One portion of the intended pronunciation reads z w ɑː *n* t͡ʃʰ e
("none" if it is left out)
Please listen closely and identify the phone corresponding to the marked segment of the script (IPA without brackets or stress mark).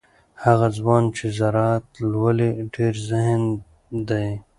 n